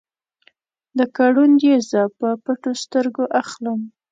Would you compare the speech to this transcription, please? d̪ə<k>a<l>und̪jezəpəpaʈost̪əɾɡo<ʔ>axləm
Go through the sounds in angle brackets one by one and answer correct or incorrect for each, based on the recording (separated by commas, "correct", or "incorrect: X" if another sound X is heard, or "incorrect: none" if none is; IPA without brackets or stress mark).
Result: correct, incorrect: ɽ, correct